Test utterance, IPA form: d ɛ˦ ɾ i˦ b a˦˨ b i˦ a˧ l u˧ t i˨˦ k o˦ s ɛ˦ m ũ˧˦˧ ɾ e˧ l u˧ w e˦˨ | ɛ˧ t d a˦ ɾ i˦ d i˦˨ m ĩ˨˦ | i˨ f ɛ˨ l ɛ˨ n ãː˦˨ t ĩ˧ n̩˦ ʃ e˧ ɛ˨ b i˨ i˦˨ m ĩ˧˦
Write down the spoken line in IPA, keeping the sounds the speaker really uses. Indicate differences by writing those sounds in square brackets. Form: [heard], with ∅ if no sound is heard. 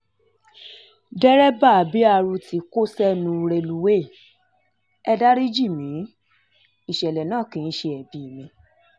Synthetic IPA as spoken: d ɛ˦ ɾ [ɛ˦] b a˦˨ b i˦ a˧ [ɾ] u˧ t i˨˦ k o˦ s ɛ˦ [n] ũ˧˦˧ ɾ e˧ l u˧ w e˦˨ | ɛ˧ [∅] d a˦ ɾ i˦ [d͡ʒ] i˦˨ m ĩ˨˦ | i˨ [ʃ] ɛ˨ l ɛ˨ n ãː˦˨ [k] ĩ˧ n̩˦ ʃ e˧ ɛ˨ b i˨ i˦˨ m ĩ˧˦